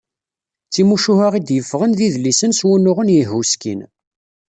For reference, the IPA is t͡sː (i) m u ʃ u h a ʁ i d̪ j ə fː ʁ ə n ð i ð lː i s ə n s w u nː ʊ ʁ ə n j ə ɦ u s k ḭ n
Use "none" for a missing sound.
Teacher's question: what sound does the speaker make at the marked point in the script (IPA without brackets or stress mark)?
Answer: i